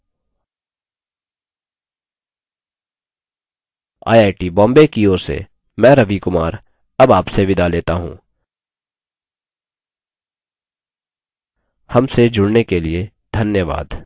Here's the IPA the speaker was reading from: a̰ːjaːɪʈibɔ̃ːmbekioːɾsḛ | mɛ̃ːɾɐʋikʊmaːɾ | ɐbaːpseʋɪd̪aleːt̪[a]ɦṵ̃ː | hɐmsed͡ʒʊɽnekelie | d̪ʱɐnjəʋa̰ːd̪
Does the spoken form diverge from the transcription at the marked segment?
no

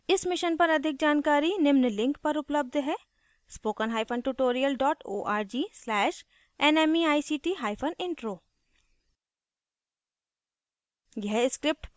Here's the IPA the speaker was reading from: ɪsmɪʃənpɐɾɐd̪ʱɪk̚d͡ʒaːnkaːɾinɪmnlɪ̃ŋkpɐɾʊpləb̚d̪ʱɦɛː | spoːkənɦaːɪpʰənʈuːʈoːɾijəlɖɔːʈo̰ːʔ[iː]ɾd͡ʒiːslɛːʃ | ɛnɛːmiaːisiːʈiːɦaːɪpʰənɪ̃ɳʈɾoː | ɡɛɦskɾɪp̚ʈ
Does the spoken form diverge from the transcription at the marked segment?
yes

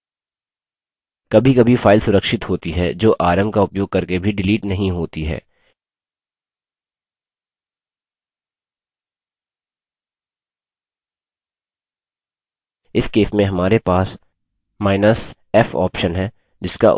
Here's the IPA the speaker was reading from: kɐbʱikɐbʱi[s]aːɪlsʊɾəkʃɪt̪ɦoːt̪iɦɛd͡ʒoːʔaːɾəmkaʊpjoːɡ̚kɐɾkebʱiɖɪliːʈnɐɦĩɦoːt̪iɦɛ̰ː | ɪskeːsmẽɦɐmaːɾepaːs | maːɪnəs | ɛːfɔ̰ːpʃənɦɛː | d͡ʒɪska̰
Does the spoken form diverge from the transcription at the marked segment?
yes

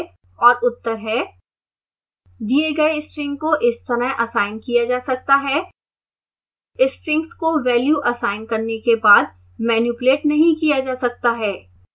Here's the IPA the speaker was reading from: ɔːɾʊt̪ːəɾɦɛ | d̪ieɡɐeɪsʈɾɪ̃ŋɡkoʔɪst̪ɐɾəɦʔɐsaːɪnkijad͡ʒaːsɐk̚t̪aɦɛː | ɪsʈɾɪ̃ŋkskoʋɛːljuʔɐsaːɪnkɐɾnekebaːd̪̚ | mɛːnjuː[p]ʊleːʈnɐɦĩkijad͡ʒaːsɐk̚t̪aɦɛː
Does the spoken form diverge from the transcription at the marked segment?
no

